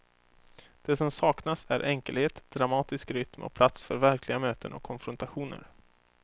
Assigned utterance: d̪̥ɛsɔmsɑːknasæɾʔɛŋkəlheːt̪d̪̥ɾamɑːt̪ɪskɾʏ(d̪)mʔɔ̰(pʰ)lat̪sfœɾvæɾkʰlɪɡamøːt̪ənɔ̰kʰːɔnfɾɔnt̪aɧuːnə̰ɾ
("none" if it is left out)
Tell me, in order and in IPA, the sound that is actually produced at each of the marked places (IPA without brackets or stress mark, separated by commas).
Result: t̪, pʰ